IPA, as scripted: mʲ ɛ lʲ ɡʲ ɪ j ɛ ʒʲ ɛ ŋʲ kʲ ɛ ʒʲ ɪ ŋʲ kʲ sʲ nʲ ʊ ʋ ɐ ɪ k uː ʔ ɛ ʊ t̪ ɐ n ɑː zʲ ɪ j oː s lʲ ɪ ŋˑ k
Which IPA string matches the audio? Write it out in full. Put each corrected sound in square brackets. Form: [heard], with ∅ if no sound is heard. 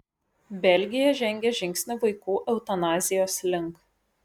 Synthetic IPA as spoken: [bʲ] ɛ lʲ ɡʲ ɪ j ɛ ʒʲ ɛ ŋʲ [ɡʲ] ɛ ʒʲ ɪ ŋʲ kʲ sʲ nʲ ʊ ʋ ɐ ɪ k uː ʔ ɛ ʊ t̪ ɐ n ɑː zʲ ɪ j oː s lʲ ɪ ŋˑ k